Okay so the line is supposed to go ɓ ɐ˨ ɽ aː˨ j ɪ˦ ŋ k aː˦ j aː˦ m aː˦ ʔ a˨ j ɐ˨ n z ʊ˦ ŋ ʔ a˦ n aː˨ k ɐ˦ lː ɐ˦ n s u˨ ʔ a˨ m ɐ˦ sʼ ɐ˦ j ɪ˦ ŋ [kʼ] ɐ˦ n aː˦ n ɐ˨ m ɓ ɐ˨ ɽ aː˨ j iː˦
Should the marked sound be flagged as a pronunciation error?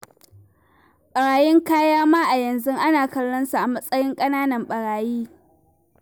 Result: no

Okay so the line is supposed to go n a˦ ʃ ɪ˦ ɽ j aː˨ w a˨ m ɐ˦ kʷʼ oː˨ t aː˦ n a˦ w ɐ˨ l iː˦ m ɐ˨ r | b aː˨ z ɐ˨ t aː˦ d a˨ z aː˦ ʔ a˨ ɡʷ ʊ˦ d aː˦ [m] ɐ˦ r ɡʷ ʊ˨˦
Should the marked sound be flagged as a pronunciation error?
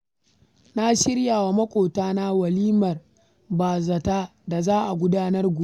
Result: yes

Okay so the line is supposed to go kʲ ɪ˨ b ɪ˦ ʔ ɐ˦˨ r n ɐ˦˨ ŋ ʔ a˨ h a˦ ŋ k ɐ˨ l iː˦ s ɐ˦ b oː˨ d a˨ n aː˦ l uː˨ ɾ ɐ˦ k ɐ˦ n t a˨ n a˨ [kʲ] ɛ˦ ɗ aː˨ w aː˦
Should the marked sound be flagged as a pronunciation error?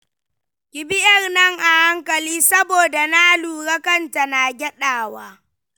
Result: yes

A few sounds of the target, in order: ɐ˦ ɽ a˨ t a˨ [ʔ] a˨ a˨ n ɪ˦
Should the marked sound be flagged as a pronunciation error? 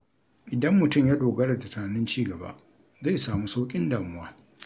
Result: yes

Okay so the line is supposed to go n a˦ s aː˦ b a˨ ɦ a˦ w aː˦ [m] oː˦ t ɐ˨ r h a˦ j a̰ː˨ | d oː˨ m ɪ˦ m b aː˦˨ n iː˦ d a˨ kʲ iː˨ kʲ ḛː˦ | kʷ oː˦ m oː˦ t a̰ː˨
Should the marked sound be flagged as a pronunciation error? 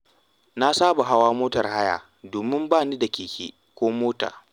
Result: no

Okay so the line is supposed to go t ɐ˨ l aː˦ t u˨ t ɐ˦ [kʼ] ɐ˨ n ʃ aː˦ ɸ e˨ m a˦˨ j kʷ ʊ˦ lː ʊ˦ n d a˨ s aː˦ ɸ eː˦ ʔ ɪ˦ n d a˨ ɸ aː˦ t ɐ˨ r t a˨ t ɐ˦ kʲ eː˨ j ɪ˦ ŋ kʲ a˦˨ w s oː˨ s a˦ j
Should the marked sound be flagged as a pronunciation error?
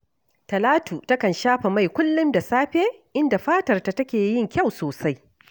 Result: yes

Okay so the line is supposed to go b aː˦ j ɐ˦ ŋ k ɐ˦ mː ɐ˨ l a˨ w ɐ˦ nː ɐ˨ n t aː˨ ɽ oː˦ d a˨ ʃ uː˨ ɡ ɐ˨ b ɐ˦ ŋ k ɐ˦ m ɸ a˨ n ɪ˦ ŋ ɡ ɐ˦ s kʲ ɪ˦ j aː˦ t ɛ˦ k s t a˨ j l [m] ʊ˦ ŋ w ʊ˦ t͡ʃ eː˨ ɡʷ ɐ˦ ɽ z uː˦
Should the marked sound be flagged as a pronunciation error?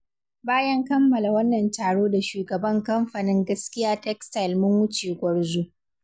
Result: no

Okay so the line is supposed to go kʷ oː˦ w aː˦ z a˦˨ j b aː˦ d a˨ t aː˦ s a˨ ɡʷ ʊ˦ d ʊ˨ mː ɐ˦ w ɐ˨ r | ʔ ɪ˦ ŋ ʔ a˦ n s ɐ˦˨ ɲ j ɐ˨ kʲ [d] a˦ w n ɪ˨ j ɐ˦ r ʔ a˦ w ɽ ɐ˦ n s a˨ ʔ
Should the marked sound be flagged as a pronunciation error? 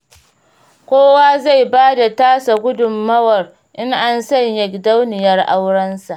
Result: no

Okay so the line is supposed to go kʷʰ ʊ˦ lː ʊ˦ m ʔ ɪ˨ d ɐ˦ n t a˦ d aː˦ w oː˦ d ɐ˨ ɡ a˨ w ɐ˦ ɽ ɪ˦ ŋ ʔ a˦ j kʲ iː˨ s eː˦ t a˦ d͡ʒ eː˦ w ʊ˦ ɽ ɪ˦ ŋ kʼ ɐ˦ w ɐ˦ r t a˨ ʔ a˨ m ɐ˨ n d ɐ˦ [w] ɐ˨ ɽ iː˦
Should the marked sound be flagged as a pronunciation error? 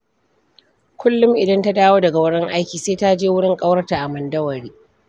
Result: no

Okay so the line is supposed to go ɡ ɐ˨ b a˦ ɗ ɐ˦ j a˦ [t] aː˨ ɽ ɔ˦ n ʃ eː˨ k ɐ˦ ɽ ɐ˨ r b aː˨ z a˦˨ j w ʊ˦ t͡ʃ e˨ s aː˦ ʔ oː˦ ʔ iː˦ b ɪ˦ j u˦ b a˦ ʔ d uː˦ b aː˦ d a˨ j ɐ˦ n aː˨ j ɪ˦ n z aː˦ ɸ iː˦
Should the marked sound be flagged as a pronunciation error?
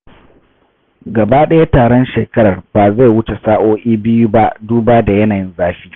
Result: no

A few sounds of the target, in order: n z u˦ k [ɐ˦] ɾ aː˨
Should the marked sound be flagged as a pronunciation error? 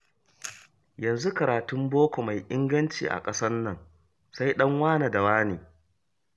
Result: yes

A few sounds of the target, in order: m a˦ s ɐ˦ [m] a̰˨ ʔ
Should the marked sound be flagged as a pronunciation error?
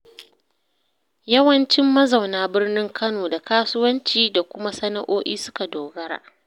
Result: yes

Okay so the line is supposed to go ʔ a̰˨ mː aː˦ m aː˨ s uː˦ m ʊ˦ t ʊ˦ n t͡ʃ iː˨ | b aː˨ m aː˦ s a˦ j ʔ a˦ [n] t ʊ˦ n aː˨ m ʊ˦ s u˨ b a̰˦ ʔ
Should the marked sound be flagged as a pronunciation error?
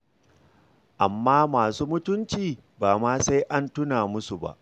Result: no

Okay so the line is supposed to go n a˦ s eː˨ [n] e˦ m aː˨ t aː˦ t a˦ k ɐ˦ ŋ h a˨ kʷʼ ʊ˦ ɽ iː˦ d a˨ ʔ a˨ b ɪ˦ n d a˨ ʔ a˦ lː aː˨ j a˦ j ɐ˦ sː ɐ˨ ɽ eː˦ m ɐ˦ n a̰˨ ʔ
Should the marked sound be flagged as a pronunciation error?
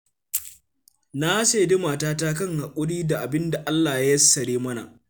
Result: yes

